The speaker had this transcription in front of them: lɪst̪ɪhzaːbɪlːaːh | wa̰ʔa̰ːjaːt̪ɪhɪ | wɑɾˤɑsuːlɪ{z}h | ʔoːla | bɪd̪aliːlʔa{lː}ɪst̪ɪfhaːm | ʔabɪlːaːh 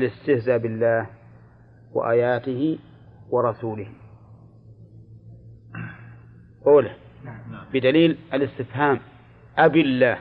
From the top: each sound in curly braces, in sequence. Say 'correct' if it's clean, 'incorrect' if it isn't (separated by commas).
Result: incorrect, incorrect